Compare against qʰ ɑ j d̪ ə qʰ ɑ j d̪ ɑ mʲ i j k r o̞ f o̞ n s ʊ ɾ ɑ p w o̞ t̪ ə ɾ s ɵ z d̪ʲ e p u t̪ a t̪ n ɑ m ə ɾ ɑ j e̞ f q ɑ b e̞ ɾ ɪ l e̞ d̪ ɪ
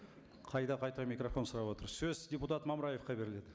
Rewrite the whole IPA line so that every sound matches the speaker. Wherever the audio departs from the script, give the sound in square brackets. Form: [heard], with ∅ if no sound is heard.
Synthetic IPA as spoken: qʰ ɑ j d̪ [ɑ] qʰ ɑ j [t̪] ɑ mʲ i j k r o̞ f o̞ n s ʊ ɾ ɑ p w o̞ t̪ ə ɾ s ɵ z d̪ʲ e p u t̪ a t̪ [m] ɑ m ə ɾ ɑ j e̞ f q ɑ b e̞ ɾ ɪ l e̞ d̪ ɪ